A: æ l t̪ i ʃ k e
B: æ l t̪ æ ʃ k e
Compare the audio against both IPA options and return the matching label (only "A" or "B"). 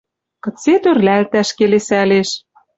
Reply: B